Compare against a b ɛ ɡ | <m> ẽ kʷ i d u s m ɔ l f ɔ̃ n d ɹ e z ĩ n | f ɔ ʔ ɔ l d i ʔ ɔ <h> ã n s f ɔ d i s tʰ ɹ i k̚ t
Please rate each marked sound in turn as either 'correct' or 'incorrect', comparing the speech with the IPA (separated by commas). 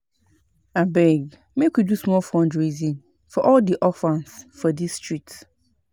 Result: correct, incorrect